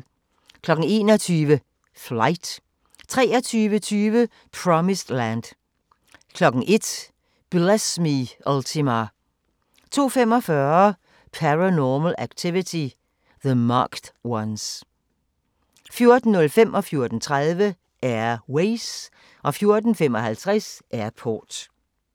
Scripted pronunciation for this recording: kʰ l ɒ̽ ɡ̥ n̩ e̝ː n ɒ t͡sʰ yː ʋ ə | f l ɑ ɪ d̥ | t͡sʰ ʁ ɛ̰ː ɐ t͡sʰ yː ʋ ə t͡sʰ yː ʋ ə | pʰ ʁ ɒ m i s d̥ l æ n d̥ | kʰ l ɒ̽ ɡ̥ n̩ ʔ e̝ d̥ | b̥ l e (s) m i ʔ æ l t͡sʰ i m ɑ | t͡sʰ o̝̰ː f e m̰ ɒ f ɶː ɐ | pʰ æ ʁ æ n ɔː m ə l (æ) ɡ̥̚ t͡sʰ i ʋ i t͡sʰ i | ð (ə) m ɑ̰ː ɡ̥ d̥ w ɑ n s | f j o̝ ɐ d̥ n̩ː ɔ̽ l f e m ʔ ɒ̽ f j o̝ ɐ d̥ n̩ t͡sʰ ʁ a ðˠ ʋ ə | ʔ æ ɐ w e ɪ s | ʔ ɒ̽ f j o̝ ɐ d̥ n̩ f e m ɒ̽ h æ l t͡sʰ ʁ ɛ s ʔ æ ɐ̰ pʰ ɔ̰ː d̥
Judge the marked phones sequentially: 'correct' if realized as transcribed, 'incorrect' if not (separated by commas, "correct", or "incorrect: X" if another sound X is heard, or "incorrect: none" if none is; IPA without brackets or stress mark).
correct, correct, correct